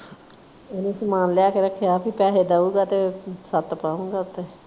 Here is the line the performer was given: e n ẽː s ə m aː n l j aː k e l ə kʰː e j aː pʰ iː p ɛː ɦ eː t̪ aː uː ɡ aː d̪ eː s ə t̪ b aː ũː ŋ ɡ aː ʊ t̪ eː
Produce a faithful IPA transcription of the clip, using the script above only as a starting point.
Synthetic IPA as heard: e n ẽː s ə m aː n l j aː k e ɾ ə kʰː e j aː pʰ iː p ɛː ɦ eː d̪ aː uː ɡ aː t̪ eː s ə t̪ p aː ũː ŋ ɡ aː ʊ t̪ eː